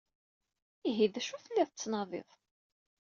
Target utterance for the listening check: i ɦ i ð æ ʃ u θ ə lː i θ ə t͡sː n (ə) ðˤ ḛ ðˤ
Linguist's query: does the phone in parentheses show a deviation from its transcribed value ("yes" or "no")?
yes